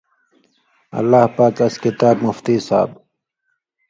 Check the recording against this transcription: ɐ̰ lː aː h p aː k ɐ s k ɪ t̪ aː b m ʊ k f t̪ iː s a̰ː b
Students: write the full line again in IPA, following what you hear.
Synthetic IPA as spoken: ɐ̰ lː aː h p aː k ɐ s k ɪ t̪ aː b m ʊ f t̪ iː s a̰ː b